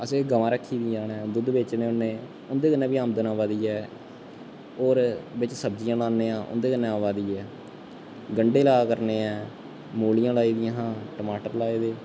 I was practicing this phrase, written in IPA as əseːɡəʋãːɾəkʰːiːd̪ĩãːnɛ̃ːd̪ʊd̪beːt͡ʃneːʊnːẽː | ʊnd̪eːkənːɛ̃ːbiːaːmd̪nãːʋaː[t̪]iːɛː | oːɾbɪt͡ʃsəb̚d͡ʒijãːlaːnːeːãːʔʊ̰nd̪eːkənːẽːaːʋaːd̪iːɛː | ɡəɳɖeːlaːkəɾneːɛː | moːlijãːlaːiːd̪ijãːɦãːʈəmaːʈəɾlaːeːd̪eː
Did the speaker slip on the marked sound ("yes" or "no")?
yes